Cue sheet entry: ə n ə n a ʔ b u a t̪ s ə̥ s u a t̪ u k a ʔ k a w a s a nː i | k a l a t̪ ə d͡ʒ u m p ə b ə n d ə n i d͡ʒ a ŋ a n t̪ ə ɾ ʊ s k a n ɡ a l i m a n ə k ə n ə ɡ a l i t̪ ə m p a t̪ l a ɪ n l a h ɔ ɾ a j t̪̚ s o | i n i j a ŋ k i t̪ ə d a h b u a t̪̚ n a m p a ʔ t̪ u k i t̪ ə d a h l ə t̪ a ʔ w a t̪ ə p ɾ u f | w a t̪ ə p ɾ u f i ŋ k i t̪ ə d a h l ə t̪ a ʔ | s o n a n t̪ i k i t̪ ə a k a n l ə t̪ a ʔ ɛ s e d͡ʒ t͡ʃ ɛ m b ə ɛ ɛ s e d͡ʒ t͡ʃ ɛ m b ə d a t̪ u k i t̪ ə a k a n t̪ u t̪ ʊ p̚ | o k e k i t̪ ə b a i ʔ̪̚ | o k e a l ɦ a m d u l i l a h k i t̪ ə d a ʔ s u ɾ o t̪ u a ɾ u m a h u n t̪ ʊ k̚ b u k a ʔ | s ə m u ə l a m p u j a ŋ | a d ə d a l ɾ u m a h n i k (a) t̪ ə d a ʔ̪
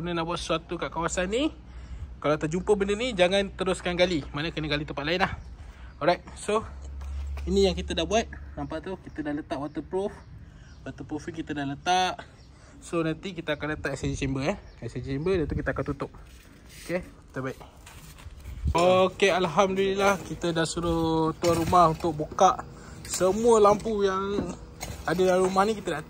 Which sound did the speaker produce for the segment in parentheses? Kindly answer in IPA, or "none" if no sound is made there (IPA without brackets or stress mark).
i